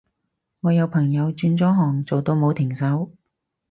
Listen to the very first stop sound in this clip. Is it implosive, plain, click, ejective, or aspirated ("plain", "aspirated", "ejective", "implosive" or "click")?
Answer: aspirated